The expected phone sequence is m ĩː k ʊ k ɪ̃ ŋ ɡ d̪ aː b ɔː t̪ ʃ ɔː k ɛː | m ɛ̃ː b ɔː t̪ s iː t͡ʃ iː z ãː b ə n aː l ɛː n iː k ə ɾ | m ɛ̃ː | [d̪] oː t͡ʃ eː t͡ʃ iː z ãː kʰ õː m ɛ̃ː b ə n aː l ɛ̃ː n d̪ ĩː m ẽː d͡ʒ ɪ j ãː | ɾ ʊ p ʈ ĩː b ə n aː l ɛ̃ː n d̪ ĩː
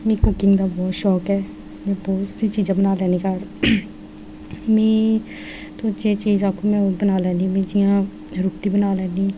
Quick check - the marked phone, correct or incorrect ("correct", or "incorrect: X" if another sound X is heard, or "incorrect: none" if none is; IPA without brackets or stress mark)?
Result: incorrect: t̪